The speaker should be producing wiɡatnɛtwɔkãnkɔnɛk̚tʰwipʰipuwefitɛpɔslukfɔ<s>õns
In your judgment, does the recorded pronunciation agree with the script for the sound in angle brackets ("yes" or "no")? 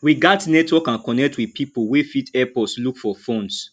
no